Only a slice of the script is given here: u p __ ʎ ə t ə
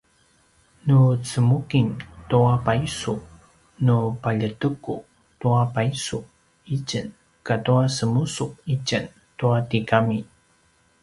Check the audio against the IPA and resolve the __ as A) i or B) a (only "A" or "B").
B